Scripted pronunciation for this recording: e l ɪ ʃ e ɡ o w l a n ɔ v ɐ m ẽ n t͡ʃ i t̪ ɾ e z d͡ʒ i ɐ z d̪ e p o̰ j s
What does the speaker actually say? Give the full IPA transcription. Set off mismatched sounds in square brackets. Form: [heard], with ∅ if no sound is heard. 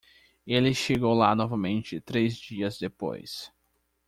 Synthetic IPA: e l ɪ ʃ e ɡ o w l a n ɔ v ɐ m ẽ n t͡ʃ [ɪ] t̪ ɾ e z d͡ʒ i ɐ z d̪ e p o̰ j s